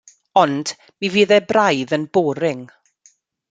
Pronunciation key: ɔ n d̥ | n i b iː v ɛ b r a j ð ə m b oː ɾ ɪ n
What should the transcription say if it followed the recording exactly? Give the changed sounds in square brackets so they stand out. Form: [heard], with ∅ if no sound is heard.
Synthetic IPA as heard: ɔ n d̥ | [m] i [v] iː [ð] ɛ b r a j ð ə [n] b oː ɾ ɪ [ŋ]